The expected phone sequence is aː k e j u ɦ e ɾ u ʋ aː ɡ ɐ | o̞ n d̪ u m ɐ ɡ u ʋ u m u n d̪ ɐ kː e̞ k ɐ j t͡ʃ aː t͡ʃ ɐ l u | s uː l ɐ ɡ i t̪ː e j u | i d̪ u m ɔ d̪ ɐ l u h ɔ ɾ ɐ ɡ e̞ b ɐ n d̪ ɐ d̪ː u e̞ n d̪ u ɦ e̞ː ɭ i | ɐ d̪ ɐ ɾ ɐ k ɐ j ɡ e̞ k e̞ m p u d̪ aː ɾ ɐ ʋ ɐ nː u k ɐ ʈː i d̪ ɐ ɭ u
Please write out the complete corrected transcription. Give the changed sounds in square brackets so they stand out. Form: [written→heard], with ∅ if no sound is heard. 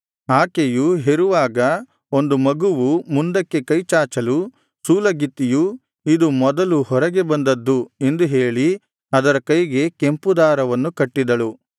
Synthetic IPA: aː k e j u ɦ e ɾ u ʋ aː ɡ ɐ | o̞ n d̪ u m ɐ ɡ u ʋ u m u n d̪ ɐ kː e̞ k ɐ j t͡ʃ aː t͡ʃ ɐ l u | s uː l ɐ ɡ i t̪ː [e→i] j u | i d̪ u m ɔ d̪ ɐ l u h ɔ ɾ ɐ ɡ e̞ b ɐ n d̪ ɐ d̪ː u e̞ n d̪ u ɦ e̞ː ɭ i | ɐ d̪ ɐ ɾ ɐ k ɐ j ɡ e̞ k e̞ m p u d̪ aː ɾ ɐ ʋ ɐ nː u k ɐ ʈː i d̪ ɐ ɭ u